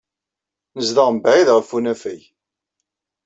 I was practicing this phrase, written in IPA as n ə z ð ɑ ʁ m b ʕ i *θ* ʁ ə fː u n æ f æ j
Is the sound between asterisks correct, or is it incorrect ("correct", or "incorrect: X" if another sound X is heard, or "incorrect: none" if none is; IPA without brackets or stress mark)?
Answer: incorrect: ð